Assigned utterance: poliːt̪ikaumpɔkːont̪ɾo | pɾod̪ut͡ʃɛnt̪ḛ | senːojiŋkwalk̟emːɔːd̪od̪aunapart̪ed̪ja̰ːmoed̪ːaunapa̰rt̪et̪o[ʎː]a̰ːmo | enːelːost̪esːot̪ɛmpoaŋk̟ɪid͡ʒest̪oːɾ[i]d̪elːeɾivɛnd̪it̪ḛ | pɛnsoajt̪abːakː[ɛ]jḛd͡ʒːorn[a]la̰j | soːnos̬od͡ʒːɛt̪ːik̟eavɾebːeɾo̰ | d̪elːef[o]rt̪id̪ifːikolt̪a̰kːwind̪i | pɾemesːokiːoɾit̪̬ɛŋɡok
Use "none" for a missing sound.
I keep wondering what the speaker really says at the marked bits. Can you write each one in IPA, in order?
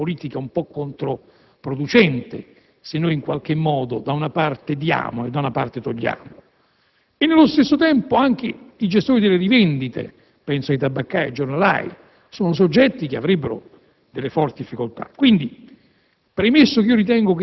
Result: ʎː, i, a, a, ɔ

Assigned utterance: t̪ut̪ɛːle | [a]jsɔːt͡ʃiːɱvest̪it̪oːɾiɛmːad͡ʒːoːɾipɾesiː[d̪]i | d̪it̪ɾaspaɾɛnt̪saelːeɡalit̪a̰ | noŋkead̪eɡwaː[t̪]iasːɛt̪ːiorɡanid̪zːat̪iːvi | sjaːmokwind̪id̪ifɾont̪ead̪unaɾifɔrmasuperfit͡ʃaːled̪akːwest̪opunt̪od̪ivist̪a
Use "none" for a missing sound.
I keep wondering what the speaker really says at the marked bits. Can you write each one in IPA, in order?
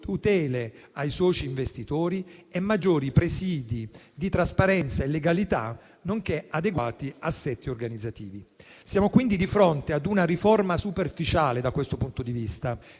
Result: a, d̪, t̪

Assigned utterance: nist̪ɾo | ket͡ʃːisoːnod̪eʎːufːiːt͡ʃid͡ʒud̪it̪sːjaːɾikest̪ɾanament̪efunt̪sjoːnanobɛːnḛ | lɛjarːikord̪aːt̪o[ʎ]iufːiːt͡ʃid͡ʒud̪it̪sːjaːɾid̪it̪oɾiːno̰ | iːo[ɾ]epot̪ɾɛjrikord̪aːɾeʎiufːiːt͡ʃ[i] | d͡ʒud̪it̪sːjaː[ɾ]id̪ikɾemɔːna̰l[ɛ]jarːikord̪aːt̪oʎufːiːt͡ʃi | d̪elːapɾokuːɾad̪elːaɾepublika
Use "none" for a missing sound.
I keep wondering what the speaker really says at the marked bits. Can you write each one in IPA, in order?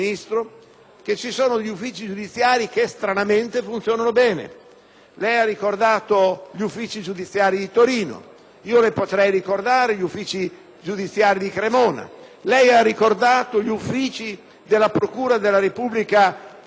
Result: ʎ, l, i, ɾ, ɛ

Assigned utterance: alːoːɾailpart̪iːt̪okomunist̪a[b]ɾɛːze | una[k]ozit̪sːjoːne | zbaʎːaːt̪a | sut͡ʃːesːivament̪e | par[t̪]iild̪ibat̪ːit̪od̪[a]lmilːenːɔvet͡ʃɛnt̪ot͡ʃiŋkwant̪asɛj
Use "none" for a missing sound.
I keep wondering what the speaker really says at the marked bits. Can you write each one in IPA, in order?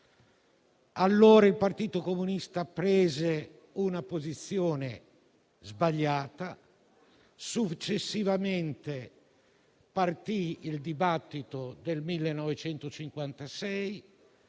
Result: p, p, t̪, e

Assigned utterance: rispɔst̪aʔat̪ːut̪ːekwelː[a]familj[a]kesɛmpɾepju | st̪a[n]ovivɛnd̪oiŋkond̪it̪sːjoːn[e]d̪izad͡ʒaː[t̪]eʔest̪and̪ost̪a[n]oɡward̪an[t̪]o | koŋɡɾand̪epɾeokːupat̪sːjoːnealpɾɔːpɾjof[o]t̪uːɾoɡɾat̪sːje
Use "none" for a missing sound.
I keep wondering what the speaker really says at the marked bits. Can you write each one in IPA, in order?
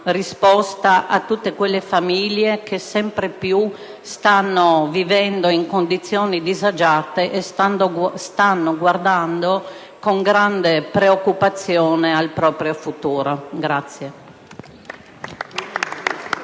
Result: e, e, nː, i, t̪, nː, d̪, u

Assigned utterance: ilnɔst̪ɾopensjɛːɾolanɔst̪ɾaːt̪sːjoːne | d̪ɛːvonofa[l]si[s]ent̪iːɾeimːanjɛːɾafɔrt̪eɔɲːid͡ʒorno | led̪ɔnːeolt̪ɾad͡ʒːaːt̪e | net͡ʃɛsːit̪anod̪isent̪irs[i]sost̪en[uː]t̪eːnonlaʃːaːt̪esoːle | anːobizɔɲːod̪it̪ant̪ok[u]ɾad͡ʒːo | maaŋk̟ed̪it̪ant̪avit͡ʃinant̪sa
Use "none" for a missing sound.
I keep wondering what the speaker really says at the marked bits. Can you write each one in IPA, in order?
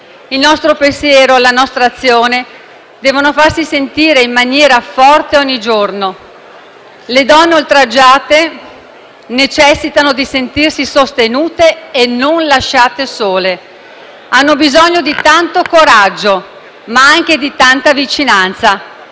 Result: r, s, i, uː, o

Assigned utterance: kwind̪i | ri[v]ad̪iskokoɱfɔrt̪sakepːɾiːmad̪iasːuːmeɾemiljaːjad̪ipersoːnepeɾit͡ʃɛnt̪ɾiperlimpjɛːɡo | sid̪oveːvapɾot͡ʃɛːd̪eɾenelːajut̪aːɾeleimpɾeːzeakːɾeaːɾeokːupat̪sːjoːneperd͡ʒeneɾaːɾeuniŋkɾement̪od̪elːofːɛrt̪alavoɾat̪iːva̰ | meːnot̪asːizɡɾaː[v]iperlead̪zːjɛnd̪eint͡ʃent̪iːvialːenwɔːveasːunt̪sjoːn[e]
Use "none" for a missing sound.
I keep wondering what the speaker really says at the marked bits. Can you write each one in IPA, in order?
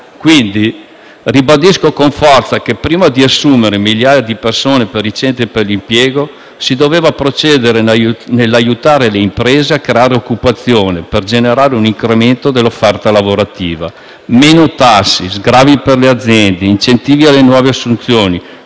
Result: b, v, i

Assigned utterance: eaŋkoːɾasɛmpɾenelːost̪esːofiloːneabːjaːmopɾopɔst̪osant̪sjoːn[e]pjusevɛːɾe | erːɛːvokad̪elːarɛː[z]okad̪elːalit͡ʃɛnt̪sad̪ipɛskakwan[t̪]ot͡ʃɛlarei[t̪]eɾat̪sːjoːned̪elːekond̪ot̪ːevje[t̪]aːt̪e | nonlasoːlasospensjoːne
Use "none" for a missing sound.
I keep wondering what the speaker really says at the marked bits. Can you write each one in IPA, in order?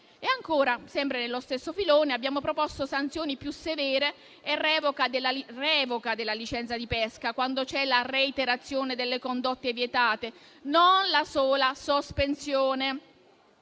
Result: i, v, d̪, t̪, t̪

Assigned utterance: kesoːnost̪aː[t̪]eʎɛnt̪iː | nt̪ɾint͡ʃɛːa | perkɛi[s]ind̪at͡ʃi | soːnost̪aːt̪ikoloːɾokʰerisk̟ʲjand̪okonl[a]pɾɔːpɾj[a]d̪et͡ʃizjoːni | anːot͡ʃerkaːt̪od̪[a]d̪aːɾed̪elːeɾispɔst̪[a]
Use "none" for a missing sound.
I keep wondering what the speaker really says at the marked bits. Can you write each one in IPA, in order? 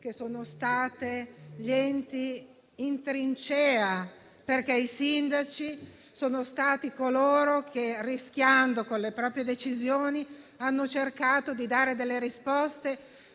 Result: t̪, s, e, e, i, e

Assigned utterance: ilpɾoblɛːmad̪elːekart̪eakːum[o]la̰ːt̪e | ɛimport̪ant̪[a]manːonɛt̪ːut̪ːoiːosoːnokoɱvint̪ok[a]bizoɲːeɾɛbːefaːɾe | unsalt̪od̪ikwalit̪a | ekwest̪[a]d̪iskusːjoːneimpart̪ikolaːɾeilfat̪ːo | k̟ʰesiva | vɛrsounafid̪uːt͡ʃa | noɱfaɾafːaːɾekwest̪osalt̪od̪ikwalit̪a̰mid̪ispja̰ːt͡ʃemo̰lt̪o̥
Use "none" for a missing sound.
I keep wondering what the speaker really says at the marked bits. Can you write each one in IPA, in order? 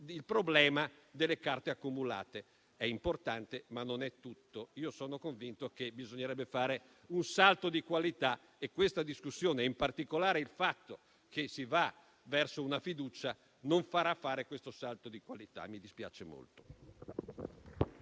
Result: u, e, e, a

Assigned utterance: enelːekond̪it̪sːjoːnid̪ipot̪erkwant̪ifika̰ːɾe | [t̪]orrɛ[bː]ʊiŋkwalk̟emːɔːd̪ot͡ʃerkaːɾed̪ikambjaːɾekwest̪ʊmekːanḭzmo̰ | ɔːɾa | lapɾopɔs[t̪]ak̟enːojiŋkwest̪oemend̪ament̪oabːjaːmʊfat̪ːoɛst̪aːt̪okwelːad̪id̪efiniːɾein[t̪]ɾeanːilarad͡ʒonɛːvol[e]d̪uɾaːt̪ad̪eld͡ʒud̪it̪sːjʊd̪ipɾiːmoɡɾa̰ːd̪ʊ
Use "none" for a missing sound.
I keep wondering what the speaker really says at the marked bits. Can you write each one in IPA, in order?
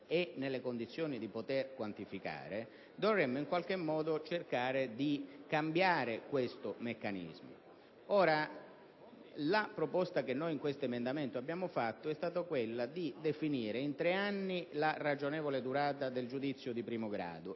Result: d̪, mː, t̪, t̪, e

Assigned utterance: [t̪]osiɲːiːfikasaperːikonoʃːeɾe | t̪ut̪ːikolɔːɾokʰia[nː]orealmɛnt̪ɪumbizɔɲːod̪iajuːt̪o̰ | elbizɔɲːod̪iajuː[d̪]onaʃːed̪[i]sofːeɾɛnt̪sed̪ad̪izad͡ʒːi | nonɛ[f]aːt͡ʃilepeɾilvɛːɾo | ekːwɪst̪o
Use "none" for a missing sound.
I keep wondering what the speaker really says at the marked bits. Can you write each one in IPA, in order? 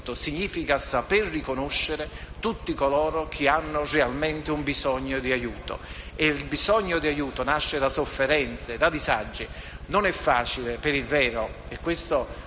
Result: t̪, nː, t̪, a, fː

